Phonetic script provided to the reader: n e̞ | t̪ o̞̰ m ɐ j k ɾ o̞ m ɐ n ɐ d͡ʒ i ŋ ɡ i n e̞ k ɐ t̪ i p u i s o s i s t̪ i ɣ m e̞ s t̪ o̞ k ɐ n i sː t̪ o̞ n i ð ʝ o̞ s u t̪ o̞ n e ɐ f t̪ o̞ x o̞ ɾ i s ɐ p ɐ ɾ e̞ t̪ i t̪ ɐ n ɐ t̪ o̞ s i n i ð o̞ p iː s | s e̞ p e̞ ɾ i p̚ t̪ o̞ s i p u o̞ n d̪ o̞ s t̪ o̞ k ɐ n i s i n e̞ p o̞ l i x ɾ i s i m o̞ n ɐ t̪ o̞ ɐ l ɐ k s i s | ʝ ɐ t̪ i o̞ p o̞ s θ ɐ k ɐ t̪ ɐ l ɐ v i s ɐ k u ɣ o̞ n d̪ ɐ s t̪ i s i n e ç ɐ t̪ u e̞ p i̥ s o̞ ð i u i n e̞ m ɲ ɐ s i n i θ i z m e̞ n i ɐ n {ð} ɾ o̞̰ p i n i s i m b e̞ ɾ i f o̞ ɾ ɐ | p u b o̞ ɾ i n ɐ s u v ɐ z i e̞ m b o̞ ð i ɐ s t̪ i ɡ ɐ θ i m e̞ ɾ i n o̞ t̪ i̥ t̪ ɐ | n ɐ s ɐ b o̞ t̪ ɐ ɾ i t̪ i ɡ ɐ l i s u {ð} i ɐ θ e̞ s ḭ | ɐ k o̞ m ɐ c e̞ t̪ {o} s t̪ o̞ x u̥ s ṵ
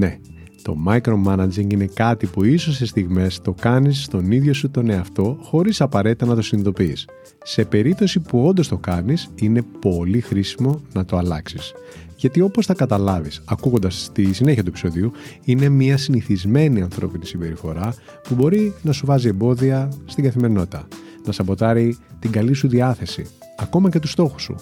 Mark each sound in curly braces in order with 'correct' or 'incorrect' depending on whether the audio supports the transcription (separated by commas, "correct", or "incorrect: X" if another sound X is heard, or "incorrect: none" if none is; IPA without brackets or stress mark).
incorrect: θ, correct, incorrect: u